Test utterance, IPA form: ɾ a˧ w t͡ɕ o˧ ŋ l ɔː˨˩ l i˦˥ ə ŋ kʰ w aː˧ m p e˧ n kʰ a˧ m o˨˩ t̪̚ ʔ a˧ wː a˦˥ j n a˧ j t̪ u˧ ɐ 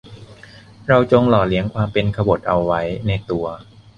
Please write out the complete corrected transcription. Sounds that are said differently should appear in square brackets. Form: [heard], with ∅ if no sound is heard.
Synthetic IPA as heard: ɾ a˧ w t͡ɕ o˧ ŋ l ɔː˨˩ l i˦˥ ə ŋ kʰ w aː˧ m p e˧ n kʰ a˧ [b] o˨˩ t̪̚ ʔ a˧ wː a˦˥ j n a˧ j t̪ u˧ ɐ